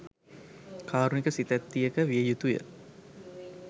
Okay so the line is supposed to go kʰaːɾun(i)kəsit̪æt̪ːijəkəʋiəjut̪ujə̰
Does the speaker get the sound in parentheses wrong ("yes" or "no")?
no